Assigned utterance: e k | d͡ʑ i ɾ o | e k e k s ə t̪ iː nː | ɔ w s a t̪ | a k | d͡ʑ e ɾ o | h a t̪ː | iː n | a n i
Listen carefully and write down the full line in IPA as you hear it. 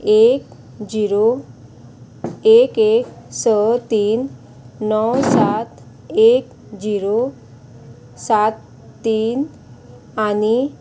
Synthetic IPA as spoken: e k | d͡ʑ i ɾ o | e k e k s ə t̪ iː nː | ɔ w s a t̪ | e k | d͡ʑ i ɾ o | s a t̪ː | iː n | a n i